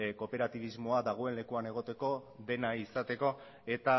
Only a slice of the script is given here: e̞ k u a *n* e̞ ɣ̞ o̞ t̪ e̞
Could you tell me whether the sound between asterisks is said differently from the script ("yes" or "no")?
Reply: no